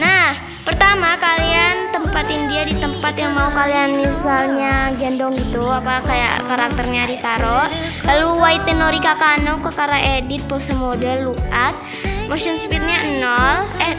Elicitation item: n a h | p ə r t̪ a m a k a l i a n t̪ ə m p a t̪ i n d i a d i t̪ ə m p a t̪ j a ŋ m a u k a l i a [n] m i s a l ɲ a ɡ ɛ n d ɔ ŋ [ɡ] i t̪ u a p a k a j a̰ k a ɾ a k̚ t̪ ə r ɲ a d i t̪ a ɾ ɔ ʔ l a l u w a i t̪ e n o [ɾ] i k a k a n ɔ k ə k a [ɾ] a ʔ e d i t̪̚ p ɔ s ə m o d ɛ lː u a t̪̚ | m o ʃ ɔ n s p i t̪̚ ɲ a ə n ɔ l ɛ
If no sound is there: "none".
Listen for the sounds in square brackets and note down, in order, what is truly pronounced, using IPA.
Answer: n, ɡ, ɾ, ɾ

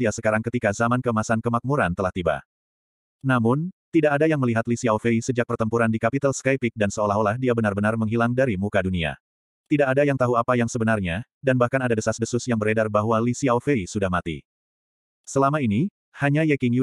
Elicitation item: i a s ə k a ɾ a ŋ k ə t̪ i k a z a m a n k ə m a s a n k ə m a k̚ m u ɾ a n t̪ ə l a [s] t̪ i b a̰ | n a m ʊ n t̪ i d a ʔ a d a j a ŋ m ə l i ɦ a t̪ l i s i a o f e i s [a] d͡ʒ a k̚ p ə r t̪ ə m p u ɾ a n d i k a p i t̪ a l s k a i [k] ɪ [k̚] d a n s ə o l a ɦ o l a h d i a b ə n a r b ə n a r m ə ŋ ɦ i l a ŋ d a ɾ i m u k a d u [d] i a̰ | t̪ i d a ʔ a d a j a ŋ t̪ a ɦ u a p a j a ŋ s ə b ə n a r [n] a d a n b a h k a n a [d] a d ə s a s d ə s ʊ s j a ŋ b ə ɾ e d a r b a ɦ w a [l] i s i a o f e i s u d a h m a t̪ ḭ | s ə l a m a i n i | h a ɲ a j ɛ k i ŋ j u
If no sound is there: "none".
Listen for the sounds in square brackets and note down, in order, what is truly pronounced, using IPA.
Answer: h, ə, p, k̚, n, ɲ, d, l

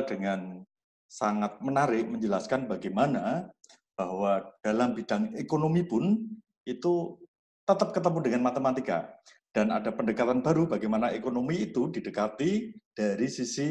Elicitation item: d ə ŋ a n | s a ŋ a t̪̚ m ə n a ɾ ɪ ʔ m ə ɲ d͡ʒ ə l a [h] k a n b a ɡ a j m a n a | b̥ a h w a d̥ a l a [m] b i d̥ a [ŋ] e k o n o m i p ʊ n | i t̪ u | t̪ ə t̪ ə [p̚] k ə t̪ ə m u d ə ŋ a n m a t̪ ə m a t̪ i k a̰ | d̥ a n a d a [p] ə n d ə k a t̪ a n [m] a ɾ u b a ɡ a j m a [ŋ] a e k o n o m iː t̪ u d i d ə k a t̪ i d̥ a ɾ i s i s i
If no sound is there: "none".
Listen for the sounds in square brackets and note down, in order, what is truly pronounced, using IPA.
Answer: s, m, ŋ, p̚, p, b, n

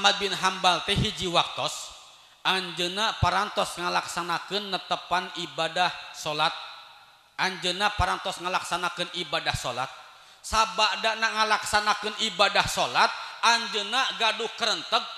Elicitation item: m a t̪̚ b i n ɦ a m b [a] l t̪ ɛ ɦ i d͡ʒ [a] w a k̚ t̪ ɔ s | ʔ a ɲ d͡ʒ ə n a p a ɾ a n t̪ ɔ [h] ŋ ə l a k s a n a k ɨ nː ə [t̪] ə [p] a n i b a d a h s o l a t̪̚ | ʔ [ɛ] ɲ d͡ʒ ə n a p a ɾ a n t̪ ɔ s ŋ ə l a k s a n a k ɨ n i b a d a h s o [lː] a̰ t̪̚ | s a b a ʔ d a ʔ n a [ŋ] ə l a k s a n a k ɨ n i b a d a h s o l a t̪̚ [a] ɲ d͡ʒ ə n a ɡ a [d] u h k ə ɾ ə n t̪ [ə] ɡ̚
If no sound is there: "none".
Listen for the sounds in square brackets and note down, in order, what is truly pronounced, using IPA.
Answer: a, i, s, t̪, p, a, l, ŋ, a, d, ə

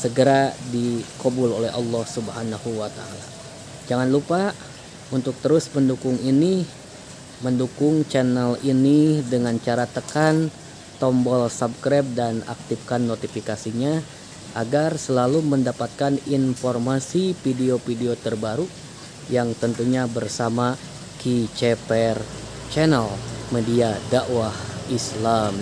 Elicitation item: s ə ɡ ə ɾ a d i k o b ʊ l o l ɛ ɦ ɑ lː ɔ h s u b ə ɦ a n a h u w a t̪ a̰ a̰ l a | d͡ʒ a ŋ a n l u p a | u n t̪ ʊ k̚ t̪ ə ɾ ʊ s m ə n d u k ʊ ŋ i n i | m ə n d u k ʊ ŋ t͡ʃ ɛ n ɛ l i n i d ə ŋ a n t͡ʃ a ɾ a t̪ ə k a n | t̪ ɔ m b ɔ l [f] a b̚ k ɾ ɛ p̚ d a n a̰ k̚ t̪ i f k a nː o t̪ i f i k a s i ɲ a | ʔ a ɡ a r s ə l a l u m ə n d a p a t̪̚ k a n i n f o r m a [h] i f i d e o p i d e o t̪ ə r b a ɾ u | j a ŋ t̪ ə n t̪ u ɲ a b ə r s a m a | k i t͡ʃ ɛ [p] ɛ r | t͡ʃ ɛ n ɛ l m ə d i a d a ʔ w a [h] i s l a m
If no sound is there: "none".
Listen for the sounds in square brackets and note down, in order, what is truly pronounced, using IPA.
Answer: s, s, p, h

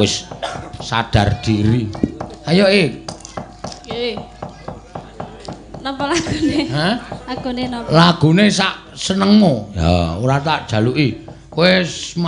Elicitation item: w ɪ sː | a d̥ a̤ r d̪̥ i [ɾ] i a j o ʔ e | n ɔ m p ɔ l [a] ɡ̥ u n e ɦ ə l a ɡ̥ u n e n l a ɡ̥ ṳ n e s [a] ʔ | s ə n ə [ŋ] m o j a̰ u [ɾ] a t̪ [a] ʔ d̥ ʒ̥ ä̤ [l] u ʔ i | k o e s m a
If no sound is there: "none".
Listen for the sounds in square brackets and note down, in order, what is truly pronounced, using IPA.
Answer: ɾ, a, a, ŋ, ɾ, a, l

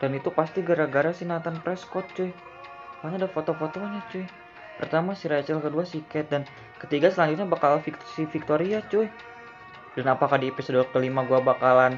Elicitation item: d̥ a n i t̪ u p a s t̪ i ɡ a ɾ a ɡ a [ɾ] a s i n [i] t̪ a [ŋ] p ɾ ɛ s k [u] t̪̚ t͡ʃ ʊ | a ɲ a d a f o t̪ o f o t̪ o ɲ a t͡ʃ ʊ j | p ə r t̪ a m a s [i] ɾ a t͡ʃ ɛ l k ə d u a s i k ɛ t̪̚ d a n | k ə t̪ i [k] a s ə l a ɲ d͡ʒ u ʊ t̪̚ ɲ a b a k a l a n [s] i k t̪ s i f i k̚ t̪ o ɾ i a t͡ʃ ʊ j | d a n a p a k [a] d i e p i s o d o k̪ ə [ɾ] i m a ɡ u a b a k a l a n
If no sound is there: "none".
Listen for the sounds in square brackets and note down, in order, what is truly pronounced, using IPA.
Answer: ɾ, a, n, ɔ, i, ɡ, f, a, l

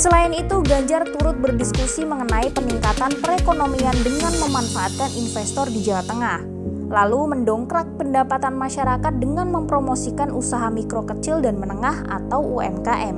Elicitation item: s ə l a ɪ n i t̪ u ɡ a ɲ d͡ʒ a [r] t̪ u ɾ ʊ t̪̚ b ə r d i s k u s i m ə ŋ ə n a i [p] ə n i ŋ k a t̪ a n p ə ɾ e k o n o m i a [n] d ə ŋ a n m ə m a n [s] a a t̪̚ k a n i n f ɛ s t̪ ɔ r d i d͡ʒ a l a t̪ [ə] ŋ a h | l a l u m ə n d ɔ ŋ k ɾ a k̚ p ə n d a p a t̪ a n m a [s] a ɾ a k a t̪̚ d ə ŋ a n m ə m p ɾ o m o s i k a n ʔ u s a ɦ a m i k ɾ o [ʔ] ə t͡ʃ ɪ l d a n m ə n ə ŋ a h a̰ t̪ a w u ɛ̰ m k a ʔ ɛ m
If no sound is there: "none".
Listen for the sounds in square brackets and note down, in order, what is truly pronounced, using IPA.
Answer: r, p, n, f, ə, ʃ, k

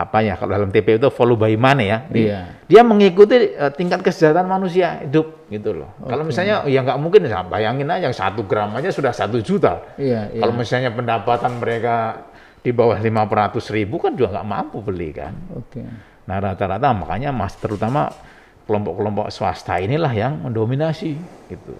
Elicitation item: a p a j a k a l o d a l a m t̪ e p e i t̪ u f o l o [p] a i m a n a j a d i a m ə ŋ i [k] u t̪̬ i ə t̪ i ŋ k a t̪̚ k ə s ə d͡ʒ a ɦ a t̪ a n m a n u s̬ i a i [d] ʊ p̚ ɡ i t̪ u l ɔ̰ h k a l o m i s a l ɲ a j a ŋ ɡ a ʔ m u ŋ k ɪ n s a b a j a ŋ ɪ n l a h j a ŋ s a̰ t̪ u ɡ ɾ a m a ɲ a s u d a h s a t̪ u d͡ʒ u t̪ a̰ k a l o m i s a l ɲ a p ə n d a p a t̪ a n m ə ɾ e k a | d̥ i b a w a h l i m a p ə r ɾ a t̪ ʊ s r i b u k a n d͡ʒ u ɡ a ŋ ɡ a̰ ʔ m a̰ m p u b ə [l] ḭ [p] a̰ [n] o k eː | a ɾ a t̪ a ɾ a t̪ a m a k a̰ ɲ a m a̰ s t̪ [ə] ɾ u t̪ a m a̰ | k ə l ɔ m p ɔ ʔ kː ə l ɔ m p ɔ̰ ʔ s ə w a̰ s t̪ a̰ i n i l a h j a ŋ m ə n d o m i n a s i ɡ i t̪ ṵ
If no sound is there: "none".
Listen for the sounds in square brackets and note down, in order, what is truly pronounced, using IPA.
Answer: b, k, d, l, k, n, ə

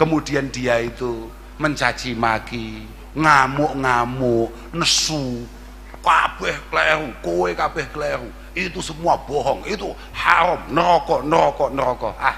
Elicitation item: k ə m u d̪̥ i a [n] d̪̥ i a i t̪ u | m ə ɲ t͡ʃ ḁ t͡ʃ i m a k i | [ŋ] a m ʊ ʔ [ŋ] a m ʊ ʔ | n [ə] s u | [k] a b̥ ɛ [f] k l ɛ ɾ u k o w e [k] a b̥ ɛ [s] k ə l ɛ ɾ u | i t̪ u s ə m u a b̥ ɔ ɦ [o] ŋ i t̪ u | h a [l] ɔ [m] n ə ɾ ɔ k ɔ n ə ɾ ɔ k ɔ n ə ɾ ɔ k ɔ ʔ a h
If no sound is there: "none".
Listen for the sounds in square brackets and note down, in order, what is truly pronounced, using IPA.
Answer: n, ŋ, ŋ, ə, k, h, k, h, ɔ, ɾ, m

